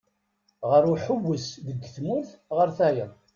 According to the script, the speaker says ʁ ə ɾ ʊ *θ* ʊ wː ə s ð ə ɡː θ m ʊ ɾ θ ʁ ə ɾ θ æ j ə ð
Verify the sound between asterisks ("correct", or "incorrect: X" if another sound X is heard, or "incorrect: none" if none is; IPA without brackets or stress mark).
incorrect: ħ